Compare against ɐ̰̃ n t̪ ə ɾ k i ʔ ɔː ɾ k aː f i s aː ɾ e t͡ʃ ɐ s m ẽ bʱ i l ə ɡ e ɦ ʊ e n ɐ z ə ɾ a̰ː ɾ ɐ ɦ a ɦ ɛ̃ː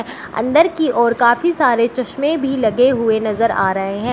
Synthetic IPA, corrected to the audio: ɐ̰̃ n d̪ ə ɾ k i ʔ ɔː ɾ k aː f i s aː ɾ e t͡ʃ ɐ ʃ m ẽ bʱ i l ɐ ɡ e ɦ ʊ e n ɐ z ə ɾ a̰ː ɾ ɐ ɦ e ɦ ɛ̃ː